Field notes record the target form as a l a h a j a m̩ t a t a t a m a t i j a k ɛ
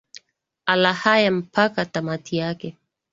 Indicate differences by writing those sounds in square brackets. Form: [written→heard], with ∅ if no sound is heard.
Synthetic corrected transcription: a l a h a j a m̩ [t→p] a [t→k] a t a m a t i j a k ɛ